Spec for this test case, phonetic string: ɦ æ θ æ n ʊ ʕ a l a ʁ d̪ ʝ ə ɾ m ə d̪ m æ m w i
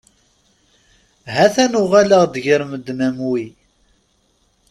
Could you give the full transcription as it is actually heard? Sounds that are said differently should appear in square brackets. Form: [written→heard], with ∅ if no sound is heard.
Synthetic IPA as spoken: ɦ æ θ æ n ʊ [ʕ→ʁ] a l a ʁ d̪ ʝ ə ɾ m ə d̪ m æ m w i